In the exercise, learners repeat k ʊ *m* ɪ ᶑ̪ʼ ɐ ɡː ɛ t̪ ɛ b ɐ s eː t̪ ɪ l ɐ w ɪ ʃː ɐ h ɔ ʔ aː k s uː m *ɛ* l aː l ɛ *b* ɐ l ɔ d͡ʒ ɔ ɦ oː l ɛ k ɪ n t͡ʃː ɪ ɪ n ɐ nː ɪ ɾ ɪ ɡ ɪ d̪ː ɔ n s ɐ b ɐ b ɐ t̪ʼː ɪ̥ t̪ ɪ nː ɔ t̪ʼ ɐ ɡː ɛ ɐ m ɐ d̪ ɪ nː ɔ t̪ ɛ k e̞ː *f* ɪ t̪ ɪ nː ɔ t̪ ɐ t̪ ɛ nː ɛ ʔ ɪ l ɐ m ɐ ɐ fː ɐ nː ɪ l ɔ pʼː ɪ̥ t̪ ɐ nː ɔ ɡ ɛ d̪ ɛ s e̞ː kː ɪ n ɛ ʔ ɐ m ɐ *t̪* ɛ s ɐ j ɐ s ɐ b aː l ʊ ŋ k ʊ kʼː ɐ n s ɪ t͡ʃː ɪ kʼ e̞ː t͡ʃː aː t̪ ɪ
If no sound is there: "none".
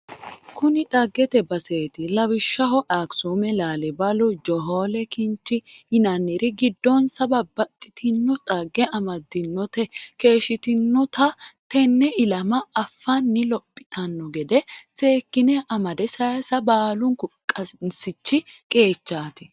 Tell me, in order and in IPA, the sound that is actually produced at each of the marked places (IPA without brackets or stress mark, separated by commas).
n, ɛ, b, ʃ, d̪